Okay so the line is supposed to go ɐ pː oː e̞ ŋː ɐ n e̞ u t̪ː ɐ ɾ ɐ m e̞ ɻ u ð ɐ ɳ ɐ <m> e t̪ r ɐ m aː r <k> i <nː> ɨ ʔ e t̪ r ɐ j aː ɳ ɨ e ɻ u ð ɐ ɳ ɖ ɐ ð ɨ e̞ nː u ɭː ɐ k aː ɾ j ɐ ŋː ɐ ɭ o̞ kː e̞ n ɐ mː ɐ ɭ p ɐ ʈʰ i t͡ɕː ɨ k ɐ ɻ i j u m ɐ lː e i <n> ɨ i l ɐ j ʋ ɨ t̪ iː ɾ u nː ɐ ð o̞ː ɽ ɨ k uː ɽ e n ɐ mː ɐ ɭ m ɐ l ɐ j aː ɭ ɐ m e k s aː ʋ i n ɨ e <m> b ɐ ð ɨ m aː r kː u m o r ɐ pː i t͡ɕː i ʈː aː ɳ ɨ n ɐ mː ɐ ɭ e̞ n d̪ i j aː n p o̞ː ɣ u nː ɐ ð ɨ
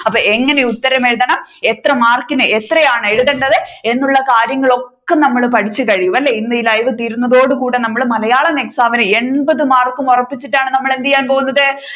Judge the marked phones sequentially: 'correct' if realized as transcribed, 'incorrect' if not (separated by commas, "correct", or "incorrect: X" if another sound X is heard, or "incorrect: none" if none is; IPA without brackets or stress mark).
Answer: correct, correct, incorrect: n, incorrect: nː, incorrect: ɳ